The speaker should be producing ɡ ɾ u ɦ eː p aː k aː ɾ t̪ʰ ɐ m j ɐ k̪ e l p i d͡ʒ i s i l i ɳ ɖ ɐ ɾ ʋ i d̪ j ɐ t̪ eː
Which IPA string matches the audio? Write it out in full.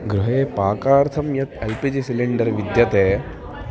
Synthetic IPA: ɡ ɾ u ɦ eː p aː k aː ɾ t̪ʰ ɐ m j ɐ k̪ e l p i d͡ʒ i s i l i ɳ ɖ ɐ ɾ ʋ i d̪ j ɐ t̪ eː